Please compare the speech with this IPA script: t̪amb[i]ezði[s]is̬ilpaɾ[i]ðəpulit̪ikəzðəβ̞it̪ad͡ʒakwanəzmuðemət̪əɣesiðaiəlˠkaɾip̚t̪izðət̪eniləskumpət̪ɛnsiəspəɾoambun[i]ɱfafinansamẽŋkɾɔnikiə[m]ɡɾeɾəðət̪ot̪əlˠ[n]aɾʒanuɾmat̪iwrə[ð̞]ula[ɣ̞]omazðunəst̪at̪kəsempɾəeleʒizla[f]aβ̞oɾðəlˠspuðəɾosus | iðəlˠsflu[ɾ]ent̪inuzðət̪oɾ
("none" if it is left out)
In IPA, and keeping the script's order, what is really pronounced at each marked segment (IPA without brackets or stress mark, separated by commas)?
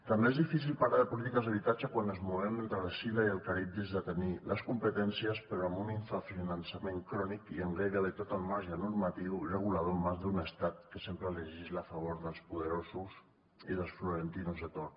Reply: e, f, a, i, ŋ, m, ɣ̞, ð̞, f, ɾ